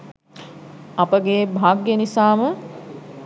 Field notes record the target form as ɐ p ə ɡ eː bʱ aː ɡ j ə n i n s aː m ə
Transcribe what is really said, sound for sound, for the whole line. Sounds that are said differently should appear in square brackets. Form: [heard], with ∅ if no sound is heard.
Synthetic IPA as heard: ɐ p ə ɡ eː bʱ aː ɡ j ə n i [∅] s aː m ə